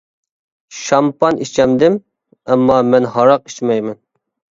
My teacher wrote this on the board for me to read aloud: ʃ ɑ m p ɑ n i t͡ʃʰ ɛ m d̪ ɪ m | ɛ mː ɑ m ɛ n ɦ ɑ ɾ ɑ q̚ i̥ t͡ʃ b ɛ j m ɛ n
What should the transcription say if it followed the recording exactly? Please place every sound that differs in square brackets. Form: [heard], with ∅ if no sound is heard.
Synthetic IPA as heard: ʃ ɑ m p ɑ n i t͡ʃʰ ɛ m d̪ ɪ m | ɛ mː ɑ m ɛ n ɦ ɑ ɾ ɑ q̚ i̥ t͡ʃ [m] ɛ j m ɛ n